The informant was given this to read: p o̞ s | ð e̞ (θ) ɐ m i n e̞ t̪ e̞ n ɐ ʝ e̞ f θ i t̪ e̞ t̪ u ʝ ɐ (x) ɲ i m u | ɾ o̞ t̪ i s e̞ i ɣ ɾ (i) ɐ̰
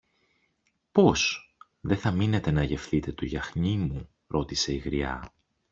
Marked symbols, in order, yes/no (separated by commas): yes, yes, yes